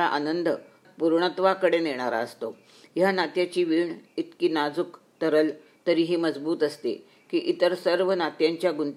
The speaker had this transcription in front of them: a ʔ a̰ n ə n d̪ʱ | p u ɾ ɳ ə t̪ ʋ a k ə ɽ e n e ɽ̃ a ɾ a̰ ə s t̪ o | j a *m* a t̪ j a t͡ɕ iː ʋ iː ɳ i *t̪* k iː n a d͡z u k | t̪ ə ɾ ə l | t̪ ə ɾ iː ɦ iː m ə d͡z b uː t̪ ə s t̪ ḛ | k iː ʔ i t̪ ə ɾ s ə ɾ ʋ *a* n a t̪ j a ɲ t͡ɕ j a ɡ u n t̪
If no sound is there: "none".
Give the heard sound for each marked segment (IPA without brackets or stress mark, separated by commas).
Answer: n, t̪, ə